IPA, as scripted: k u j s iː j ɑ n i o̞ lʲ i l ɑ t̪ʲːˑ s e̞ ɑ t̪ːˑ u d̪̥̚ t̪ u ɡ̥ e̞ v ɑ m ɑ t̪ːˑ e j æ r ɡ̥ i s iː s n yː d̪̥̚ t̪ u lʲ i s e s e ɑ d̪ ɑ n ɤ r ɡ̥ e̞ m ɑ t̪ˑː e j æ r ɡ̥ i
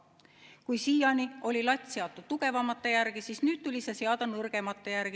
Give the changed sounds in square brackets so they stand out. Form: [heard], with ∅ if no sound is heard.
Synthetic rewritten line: k u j s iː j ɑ n i o̞ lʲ i l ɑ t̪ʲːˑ s e̞ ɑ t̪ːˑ u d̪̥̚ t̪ u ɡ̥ e̞ v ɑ m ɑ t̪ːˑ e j æ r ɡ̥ i s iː s n yː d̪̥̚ t̪ u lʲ i s e s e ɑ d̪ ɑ n ɤ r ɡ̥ e̞ m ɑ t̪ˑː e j æ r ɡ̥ i